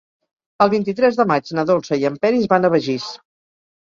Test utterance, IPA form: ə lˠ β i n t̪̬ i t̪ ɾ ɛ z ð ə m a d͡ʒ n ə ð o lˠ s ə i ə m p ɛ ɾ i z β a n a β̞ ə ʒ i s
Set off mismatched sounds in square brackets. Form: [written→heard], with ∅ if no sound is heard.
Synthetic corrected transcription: ə lˠ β i n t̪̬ i t̪ ɾ ɛ z ð ə m a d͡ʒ n ə ð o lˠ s ə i ə m p ɛ ɾ i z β a n [a→ə] β̞ ə ʒ i s